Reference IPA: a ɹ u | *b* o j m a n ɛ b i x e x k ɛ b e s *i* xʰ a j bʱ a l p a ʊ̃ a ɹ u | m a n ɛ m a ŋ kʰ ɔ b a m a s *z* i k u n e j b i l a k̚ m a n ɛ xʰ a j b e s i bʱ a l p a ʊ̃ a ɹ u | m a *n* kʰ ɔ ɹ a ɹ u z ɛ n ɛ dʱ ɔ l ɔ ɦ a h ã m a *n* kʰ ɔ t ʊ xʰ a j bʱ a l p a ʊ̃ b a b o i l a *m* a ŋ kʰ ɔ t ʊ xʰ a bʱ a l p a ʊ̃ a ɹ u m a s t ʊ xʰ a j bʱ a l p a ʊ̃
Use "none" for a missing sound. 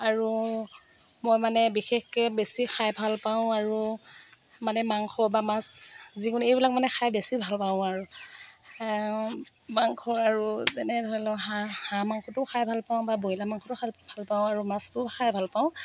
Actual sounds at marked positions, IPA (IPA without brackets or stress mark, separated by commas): m, i, z, ŋ, ŋ, m